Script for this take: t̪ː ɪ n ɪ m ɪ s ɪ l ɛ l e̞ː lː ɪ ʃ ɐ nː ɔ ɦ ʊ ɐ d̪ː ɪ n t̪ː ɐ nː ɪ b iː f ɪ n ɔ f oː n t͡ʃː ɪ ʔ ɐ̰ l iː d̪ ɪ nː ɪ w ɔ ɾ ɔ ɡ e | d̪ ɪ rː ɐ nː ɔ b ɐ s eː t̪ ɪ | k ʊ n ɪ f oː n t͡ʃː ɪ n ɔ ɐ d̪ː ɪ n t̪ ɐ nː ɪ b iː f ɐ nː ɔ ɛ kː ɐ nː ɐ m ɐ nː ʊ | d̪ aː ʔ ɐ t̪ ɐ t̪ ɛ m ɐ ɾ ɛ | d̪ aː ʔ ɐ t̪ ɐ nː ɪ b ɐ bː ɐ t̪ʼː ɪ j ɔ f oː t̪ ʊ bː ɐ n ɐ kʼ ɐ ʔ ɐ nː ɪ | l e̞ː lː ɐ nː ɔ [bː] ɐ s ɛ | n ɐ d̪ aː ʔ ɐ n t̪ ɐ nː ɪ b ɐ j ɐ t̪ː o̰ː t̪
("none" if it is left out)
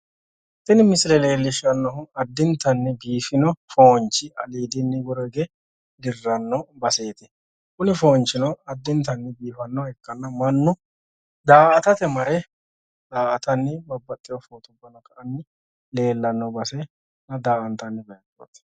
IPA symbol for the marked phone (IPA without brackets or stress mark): b